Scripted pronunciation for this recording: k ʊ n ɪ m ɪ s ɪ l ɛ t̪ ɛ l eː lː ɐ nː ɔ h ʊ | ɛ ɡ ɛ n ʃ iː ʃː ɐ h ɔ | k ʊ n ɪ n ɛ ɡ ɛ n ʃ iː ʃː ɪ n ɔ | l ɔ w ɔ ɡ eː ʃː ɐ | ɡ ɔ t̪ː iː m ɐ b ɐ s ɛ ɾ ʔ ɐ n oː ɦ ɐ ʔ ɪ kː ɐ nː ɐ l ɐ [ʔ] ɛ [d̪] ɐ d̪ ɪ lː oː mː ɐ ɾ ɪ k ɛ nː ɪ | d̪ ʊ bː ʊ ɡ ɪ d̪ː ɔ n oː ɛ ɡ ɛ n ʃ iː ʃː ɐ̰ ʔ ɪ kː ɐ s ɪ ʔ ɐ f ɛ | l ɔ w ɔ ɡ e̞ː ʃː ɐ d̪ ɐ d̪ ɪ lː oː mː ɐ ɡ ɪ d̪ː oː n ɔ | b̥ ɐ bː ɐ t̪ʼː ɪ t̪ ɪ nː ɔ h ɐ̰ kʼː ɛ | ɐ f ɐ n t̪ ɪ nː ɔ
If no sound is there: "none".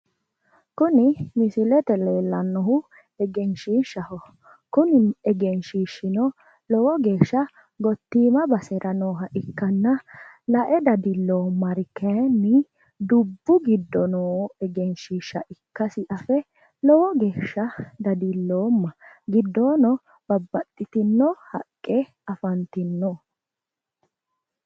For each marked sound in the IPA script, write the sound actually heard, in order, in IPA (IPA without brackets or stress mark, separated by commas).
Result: ʔ, d̪